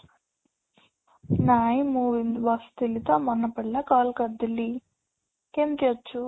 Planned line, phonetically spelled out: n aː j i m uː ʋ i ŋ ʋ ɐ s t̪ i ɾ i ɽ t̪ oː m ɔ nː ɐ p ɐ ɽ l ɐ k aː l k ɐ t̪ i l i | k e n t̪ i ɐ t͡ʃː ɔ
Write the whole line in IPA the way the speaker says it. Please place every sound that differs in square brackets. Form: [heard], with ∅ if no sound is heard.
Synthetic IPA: n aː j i m uː ʋ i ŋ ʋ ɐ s t̪ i [l] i [∅] t̪ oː m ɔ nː ɐ p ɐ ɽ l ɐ k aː l k ɐ [d̪] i l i | k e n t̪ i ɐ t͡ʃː [u]